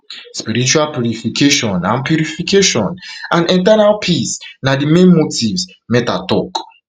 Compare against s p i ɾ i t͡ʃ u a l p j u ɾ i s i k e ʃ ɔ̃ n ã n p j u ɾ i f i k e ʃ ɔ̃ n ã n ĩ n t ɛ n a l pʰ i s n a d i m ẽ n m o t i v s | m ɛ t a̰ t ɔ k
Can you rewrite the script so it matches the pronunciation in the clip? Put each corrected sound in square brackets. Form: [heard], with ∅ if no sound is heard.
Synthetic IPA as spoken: s p i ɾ i t͡ʃ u a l p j u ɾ i [f] i k e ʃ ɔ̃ n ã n p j u ɾ i f i k e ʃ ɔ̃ n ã n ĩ n t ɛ n a l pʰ i s n a d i m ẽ n m o t i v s | m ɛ t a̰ t ɔ k